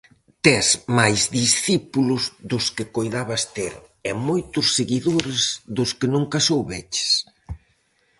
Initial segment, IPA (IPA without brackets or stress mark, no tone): t̪